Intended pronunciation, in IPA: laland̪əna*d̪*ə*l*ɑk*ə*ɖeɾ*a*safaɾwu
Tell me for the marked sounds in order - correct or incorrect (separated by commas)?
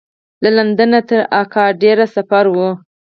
incorrect, incorrect, incorrect, correct